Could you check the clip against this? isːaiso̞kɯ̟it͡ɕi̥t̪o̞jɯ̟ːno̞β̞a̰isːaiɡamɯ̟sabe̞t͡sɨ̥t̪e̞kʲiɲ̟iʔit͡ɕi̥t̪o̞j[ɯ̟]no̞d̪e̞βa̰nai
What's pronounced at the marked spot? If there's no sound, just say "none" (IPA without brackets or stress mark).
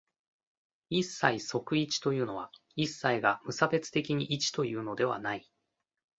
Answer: ɯ̟ː